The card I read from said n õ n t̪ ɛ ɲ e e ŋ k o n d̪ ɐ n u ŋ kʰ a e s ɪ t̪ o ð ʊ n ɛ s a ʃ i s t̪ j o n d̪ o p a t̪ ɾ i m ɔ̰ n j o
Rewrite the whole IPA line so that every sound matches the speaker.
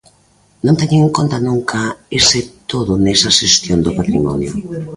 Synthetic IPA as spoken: n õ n t̪ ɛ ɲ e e ŋ k o n t̪ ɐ n u ŋ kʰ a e s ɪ t̪ o ð ʊ n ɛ s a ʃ e s t̪ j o n d̪ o p a t̪ ɾ i m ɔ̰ n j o